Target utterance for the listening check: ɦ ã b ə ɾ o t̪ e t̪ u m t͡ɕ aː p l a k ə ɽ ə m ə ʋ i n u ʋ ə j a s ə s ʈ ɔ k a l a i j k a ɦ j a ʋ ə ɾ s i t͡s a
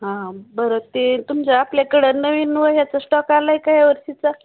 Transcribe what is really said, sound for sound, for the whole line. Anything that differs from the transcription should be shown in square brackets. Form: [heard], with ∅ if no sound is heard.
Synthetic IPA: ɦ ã b ə ɾ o t̪ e t̪ u m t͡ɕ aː p l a k ə ɽ ə [n] ə ʋ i n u ʋ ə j a [t͡s] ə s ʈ ɔ k a l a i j k a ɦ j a ʋ ə ɾ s i t͡s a